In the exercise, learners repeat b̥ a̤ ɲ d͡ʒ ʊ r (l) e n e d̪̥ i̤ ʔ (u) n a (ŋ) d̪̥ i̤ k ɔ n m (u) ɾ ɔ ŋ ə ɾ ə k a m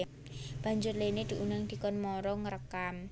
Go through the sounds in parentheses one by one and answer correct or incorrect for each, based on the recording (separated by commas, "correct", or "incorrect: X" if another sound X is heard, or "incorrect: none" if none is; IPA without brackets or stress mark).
correct, correct, correct, incorrect: ɔ